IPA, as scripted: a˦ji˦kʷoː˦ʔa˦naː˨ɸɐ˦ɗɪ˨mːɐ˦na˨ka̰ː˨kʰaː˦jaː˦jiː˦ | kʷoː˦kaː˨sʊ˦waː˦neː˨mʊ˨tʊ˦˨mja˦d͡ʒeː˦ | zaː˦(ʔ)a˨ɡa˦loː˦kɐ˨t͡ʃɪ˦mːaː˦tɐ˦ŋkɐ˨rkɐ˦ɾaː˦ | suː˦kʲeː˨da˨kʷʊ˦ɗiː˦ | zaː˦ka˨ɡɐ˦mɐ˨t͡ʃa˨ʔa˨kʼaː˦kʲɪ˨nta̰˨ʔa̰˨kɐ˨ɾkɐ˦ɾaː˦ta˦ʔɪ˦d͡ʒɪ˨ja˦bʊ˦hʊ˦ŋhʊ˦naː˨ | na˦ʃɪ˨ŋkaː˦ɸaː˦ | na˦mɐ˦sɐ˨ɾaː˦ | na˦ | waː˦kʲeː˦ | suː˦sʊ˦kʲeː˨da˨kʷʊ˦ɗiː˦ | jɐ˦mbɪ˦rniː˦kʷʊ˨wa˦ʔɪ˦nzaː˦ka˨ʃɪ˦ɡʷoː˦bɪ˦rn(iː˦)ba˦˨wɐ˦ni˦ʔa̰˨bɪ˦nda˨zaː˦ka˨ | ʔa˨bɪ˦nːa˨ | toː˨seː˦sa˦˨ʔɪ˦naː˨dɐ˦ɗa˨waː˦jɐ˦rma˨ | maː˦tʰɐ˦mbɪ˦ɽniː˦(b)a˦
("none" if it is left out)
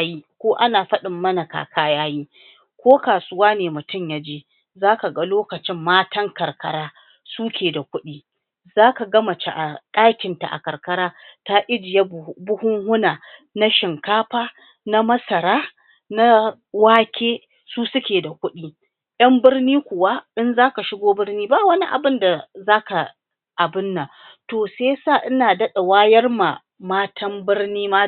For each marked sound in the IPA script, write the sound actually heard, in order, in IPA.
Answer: k, iː˦, m

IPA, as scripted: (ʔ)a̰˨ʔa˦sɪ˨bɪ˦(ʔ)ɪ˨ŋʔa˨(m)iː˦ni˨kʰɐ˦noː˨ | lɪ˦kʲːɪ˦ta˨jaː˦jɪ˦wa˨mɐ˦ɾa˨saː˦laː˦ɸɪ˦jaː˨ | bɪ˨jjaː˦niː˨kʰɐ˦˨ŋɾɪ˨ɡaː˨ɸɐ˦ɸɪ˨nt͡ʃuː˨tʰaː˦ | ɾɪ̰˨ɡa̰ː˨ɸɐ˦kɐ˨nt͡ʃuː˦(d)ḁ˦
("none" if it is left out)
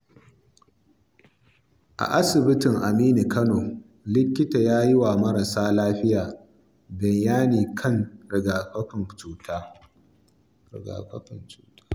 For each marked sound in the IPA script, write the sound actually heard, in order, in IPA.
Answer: ʔ, t, m, t

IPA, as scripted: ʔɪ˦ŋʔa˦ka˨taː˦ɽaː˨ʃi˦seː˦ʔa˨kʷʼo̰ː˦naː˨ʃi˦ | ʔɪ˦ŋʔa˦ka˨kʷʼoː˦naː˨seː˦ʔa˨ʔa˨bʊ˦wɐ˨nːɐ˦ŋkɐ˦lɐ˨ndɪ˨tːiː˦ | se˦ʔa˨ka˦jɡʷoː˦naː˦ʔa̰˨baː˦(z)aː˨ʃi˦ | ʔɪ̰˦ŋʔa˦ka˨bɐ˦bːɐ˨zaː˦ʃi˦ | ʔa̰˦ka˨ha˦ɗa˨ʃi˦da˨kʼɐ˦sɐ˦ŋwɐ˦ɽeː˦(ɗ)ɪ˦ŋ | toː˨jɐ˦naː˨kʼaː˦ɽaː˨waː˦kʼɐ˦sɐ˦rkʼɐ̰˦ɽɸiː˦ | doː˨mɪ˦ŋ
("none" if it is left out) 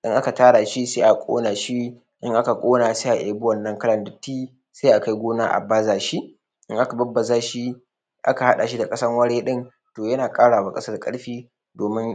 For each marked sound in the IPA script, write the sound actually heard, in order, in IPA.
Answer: z, ɗ

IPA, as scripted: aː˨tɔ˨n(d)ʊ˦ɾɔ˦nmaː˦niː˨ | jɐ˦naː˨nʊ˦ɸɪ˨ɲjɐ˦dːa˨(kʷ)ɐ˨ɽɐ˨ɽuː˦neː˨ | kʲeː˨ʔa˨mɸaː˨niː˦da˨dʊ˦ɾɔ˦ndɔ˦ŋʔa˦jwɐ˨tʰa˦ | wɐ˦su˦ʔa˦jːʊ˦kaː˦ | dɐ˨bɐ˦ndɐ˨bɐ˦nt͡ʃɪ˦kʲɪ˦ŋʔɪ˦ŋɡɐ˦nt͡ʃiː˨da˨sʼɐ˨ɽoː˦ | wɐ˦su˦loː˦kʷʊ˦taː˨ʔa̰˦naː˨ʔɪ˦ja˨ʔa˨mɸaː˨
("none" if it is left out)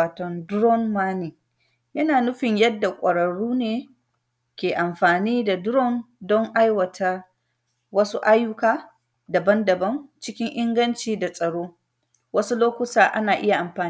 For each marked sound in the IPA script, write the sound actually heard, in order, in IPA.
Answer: d, kʷʼ

